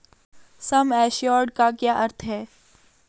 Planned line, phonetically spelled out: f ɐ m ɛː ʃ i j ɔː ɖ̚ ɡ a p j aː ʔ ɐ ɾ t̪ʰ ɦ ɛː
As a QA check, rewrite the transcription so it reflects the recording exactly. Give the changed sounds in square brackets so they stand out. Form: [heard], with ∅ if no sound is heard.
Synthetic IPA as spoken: [s] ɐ m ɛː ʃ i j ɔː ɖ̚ [k] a [k] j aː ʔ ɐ ɾ t̪ʰ ɦ ɛː